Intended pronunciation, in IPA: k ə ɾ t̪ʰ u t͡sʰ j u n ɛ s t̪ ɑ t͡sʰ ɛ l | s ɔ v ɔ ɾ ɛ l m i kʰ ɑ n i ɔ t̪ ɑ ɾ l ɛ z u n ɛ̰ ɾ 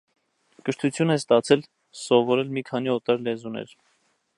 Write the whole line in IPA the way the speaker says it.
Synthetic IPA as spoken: k ə ɾ t̪ʰ u t͡sʰ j u n ɛ s t̪ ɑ t͡sʰ ɛ l | s ɔ v ɔ ɾ ɛ l m i kʰ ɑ n i ɔ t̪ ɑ ɾ l ɛ z u n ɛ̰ ɾ